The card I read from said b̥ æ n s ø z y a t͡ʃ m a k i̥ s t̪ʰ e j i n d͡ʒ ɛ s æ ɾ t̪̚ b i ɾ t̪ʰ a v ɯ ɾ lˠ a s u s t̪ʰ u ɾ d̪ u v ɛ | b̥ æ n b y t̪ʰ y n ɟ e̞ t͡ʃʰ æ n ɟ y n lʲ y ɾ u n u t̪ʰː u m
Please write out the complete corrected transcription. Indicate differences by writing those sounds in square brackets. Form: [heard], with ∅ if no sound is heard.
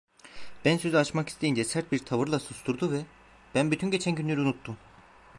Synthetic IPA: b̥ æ n s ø z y a t͡ʃ m a k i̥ s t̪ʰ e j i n d͡ʒ ɛ s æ ɾ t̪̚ b i ɾ t̪ʰ a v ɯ ɾ lˠ a s u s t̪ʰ u ɾ d̪ u v ɛ | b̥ æ n b y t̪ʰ y n ɟ e̞ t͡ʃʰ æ n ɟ y n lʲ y ɾ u n u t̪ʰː u m

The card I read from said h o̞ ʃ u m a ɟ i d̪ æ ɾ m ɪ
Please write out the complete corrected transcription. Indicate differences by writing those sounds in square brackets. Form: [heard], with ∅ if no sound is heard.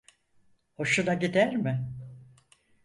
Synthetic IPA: h o̞ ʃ u [n] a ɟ i d̪ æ ɾ m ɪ

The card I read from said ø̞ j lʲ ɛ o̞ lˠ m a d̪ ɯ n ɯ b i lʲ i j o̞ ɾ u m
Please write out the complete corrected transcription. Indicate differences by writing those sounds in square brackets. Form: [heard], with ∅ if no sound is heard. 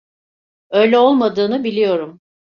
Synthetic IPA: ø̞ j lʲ ɛ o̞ lˠ m a d̪ [ɯː] n ɯ b i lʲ i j o̞ ɾ u m

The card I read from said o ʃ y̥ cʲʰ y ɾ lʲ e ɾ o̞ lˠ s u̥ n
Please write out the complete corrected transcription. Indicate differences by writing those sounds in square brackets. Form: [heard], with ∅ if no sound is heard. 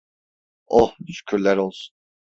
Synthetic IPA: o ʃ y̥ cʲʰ y ɾ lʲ [æ] ɾ o̞ lˠ s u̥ n

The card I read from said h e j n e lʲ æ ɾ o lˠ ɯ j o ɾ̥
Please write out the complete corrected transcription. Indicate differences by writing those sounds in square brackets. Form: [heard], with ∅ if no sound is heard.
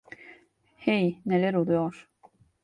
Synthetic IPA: h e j n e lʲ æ ɾ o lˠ [u] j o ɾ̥

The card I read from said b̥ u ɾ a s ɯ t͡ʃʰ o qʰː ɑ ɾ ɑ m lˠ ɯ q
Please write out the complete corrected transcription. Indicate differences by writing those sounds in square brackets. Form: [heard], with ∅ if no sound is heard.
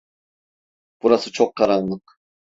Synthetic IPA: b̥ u ɾ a s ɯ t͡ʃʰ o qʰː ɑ ɾ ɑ [n] lˠ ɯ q

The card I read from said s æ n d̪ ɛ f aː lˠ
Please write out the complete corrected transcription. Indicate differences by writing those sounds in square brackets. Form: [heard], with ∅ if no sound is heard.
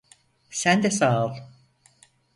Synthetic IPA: s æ n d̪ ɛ [s] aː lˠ

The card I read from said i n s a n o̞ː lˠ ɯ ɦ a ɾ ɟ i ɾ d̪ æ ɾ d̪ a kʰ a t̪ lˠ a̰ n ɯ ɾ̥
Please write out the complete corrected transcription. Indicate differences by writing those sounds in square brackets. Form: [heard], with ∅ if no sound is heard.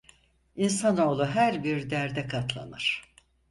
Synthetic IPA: i n s a n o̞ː lˠ [u] ɦ [æ] ɾ [b] i ɾ d̪ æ ɾ d̪ [ɛ] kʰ a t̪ lˠ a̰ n ɯ ɾ̥

